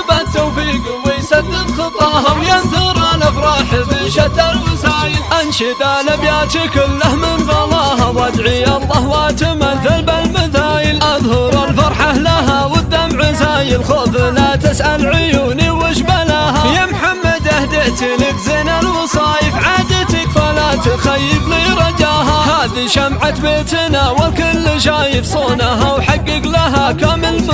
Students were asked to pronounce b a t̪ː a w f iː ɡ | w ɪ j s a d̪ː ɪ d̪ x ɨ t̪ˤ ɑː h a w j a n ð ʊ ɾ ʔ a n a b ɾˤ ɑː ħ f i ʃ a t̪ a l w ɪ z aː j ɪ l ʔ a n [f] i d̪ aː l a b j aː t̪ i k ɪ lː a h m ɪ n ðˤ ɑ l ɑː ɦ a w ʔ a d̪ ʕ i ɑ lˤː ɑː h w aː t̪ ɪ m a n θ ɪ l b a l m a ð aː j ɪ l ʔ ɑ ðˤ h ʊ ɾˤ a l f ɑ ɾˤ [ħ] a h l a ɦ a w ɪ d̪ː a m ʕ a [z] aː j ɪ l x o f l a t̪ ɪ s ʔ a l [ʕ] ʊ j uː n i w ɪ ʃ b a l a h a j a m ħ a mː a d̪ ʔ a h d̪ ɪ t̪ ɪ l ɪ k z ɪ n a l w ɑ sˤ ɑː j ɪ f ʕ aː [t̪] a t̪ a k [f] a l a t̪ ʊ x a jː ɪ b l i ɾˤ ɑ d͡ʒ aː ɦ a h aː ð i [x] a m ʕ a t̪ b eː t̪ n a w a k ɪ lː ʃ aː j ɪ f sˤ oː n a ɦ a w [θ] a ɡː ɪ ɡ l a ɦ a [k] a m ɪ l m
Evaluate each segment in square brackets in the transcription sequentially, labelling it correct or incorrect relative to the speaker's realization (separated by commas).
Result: incorrect, correct, correct, correct, incorrect, correct, incorrect, incorrect, correct